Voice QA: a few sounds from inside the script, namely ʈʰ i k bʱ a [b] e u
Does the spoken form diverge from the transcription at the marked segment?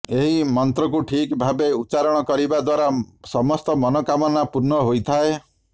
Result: no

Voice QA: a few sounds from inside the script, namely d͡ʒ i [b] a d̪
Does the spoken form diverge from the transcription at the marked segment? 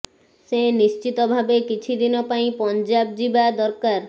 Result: no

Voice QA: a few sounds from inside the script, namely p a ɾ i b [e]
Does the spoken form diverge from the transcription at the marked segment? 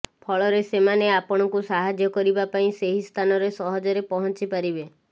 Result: no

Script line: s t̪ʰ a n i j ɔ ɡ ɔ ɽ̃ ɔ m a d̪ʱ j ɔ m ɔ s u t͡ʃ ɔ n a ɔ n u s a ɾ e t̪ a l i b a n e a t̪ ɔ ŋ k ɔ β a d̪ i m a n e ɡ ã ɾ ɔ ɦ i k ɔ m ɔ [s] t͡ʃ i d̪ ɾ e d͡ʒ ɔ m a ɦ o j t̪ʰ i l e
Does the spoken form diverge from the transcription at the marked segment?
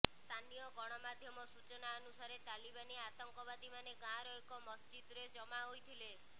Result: no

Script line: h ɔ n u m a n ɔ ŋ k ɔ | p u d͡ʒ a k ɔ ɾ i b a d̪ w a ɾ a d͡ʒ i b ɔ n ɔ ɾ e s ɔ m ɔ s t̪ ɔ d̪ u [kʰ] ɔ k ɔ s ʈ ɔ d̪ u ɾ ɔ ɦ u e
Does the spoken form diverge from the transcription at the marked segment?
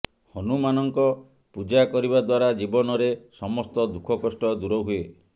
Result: no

